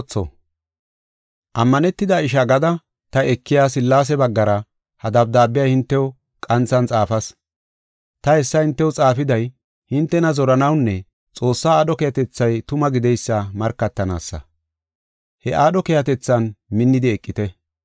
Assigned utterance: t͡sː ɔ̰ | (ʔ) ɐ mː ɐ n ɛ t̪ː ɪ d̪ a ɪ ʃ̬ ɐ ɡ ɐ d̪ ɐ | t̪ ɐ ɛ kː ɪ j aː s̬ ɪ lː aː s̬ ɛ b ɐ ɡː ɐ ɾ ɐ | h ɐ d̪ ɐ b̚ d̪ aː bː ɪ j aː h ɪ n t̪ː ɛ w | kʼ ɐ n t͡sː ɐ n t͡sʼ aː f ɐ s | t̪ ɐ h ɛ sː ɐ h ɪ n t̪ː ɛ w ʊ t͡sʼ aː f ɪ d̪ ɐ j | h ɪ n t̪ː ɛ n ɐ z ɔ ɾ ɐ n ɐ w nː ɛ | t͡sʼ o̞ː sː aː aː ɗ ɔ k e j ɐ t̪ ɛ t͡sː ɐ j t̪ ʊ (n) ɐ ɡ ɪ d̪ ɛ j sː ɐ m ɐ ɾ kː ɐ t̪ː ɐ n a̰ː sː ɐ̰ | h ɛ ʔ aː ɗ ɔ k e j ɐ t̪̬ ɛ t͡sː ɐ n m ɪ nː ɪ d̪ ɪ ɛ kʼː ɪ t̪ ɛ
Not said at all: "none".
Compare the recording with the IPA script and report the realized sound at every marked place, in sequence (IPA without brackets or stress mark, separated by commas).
ʔ, m